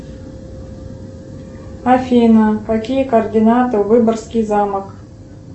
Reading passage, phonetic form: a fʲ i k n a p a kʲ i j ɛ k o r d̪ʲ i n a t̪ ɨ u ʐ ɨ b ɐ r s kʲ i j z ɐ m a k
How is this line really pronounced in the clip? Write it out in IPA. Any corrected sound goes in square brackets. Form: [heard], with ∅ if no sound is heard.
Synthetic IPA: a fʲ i [∅] n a [k] a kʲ i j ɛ k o r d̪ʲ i n a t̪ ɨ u [v] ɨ b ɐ r s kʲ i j z [a] m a k